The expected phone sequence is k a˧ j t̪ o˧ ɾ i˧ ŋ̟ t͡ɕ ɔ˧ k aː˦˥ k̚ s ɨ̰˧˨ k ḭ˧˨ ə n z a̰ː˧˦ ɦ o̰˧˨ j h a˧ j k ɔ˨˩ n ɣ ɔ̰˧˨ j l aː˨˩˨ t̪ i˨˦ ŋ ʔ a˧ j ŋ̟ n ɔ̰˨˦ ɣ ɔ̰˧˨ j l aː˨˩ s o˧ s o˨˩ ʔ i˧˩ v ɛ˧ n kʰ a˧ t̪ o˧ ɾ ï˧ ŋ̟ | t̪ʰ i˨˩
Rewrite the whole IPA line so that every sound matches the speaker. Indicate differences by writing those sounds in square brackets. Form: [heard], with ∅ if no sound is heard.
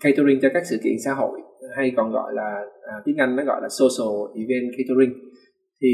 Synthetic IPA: k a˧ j t̪ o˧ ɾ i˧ ŋ̟ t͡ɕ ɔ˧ k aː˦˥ k̚ s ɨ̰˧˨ k ḭ˧˨ ə n [s] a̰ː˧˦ ɦ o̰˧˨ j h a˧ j k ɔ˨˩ n ɣ ɔ̰˧˨ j l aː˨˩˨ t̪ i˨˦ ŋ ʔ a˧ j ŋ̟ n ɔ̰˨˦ ɣ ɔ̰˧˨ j l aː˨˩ s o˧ s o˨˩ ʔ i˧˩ v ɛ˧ n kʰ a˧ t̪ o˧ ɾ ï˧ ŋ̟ | t̪ʰ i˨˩